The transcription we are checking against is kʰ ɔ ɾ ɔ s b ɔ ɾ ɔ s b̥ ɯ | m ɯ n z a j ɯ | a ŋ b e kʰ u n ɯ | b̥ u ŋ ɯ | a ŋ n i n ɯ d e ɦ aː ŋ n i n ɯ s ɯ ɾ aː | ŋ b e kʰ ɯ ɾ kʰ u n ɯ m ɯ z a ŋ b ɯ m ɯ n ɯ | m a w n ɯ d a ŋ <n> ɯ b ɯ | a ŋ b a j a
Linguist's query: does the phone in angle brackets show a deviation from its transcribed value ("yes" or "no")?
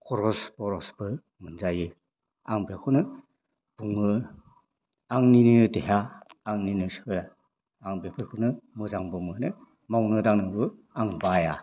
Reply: no